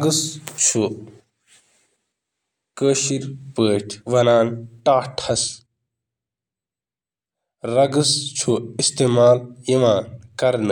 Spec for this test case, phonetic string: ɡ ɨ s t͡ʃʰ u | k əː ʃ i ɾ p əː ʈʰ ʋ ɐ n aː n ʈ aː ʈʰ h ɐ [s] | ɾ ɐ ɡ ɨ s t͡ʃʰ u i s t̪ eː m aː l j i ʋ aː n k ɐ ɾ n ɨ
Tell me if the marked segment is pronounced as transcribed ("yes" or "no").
yes